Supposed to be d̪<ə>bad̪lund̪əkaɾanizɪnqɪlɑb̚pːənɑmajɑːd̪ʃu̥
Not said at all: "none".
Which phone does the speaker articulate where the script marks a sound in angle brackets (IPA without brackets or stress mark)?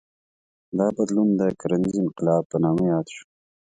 ɑ